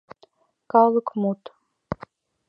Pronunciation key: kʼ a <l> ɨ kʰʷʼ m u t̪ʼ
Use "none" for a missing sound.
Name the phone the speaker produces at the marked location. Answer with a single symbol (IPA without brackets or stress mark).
l